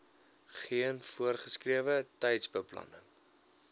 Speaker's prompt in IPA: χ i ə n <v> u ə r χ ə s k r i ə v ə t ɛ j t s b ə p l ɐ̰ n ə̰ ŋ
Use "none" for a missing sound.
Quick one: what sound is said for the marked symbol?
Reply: f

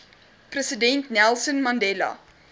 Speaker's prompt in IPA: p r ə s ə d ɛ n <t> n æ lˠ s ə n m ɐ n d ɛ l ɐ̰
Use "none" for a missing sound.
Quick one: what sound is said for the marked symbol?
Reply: t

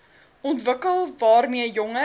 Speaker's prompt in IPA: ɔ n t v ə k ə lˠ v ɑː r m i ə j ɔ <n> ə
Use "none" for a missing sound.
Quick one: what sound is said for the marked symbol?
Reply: ŋ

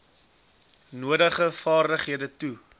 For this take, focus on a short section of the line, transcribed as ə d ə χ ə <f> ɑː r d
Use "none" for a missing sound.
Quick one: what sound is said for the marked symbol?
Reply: f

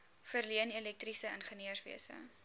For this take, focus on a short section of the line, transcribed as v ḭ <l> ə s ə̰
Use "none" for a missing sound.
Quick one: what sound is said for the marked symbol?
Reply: none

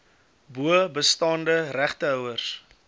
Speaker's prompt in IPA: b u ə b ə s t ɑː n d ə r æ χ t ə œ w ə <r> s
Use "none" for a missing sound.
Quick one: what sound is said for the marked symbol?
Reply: r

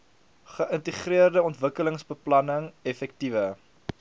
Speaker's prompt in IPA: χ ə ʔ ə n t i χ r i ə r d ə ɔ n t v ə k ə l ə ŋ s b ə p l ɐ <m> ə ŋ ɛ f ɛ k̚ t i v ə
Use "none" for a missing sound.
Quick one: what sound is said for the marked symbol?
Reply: n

